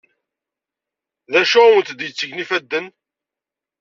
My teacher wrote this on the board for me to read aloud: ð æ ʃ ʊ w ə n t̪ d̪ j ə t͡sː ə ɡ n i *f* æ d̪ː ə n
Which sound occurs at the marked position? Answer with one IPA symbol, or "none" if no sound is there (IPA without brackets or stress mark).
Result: f